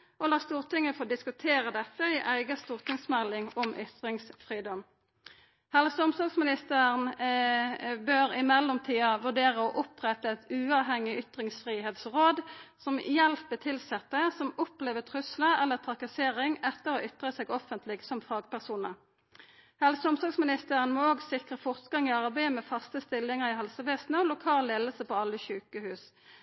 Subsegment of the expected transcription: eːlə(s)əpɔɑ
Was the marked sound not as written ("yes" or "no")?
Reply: no